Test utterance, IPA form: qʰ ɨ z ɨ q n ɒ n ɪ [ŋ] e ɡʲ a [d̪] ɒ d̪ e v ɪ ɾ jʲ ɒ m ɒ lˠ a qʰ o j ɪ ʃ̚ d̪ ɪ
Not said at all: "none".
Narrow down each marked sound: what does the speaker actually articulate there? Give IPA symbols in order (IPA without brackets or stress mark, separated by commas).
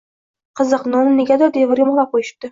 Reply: n, d̪